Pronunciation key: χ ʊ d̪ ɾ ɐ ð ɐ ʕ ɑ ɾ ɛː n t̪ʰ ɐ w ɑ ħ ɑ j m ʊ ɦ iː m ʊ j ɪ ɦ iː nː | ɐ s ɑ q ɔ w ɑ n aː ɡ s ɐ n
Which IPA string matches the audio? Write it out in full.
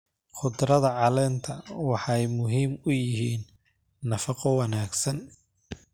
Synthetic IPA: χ ʊ d̪ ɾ ɐ ð ɐ ʕ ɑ l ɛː n t̪ʰ ɐ w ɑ ħ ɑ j m ʊ ɦ iː m ʊ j ɪ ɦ iː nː | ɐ f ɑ q ɔ w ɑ n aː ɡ s ɐ n